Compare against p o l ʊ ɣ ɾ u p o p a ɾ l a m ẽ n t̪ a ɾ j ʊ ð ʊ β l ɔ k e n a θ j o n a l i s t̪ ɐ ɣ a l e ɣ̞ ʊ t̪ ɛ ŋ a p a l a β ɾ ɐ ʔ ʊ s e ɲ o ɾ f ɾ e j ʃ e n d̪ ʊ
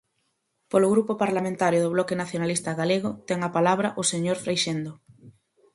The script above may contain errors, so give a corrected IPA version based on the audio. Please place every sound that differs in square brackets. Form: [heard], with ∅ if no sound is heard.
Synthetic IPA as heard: p o l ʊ ɣ ɾ u p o p a ɾ l a m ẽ n t̪ a ɾ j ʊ ð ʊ β l ɔ k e n a θ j o n a l i s t̪ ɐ ɣ a l e ɣ̞ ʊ t̪ ɛ ŋ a p a l a β ɾ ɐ ʔ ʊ s e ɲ o ɾ f ɾ e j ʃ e n d̪ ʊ